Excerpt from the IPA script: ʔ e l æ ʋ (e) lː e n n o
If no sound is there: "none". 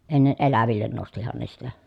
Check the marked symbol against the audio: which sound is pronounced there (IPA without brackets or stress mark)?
i